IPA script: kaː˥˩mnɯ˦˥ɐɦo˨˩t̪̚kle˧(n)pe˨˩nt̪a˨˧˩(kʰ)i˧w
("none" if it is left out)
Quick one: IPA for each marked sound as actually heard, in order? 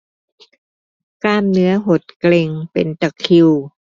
ŋ, kʰ

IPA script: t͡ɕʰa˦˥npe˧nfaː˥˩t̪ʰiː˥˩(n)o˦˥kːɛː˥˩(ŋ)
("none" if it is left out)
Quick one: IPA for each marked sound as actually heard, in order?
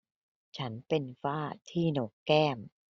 n, m

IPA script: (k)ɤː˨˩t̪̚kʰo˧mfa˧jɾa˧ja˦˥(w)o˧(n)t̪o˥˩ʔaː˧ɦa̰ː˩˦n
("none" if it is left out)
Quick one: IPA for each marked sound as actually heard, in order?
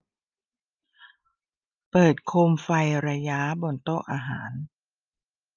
p, b, n

